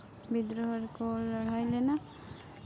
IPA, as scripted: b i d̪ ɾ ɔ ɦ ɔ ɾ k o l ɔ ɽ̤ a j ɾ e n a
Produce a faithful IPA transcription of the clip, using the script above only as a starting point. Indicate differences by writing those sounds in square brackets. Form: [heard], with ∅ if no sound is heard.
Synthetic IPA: b i d̪ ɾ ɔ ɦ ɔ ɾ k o l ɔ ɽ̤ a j [l] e n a